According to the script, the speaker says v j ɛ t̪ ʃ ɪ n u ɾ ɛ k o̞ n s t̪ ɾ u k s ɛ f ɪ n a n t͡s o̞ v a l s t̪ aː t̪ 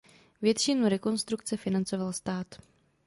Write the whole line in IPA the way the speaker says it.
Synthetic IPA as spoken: v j ɛ t̪ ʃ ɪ n u ɾ ɛ k o̞ n s t̪ ɾ u k t͡s ɛ f ɪ n a n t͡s o̞ v a l s t̪ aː t̪